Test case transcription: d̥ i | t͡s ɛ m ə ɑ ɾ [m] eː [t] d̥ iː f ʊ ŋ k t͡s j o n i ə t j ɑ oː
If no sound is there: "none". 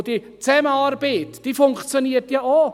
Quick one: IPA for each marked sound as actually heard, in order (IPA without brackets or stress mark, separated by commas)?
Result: b, t